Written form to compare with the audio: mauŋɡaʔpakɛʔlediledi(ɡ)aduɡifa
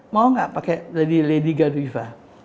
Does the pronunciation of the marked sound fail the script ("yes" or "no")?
no